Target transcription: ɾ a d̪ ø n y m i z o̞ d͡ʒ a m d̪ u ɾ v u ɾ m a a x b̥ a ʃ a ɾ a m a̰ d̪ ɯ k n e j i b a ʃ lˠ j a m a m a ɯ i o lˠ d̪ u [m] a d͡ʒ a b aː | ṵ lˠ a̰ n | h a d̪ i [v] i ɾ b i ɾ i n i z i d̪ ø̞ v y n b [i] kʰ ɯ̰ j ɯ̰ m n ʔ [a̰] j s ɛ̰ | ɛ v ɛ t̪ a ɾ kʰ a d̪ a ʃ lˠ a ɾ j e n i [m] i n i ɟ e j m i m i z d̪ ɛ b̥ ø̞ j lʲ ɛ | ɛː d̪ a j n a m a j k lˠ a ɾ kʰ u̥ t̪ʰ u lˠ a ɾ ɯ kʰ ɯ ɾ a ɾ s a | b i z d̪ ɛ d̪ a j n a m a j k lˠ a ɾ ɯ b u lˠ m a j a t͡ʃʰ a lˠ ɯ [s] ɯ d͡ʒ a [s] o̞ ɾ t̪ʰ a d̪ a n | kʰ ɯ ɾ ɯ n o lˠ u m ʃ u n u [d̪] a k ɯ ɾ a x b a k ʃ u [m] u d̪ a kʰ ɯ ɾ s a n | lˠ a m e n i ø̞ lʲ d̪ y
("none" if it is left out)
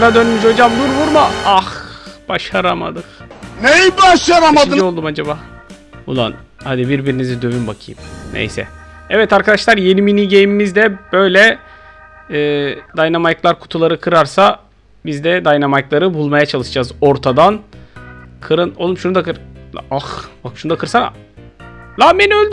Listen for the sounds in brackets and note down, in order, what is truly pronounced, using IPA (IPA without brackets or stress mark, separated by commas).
m, b, a, ḛ, m, ʃ, z, d̪, n